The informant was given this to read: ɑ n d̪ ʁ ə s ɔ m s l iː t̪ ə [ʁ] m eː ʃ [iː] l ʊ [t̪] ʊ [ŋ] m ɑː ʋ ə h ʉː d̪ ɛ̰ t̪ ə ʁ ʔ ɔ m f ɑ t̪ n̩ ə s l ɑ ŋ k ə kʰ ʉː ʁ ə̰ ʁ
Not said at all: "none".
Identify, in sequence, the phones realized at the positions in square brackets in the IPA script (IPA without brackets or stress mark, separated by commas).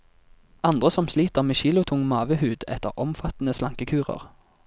ʁ, iː, t̪ʰ, ŋ